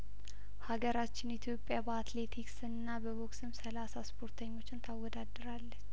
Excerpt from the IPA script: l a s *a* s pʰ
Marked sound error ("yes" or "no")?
no